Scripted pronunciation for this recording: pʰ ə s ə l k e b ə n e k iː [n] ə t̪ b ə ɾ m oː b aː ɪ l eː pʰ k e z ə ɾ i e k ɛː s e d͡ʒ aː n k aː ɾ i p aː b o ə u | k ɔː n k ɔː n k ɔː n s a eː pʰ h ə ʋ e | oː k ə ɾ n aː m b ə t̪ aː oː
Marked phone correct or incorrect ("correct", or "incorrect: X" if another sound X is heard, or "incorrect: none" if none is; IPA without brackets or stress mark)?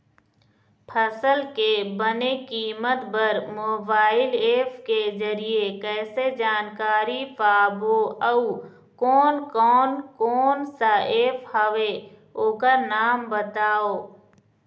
incorrect: m